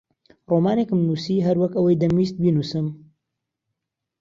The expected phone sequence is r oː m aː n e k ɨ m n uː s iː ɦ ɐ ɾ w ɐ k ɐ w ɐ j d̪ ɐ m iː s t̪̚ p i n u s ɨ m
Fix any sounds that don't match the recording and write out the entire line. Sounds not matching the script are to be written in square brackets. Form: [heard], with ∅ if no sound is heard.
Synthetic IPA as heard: r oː m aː n e k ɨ m n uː s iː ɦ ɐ ɾ w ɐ k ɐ w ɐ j d̪ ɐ m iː s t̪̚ [b] i n u s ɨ m